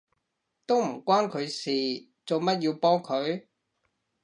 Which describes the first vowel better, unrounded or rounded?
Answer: rounded